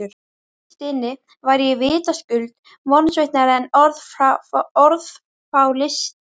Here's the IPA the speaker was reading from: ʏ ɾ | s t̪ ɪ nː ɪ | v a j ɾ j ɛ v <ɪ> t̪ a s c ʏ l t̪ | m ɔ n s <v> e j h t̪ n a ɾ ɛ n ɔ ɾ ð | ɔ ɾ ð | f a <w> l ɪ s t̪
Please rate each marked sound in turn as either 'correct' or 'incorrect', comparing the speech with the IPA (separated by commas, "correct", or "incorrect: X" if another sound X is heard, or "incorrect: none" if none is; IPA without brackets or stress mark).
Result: incorrect: ɪː, correct, correct